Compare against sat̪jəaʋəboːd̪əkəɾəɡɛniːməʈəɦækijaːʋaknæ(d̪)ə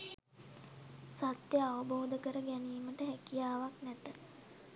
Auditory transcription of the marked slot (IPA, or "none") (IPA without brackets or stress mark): t̪